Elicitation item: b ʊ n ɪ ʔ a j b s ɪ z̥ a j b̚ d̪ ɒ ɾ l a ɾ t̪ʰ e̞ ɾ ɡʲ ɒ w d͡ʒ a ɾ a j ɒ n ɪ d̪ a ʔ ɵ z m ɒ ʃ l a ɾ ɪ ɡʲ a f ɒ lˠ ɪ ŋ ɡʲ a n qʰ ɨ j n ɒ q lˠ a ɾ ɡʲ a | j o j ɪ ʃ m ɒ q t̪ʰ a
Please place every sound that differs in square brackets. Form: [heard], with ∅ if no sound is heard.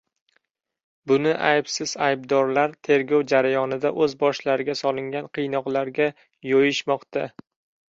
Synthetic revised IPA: b ʊ n ɪ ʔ a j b s ɪ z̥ a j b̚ d̪ ɒ ɾ l a ɾ t̪ʰ e̞ ɾ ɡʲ ɒ w d͡ʒ a ɾ a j ɒ n ɪ d̪ a ʔ ɵ z [b] ɒ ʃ l a ɾ ɪ ɡʲ a [s] ɒ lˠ ɪ ŋ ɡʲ a n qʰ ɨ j n ɒ q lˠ a ɾ ɡʲ a | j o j ɪ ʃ m ɒ q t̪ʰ a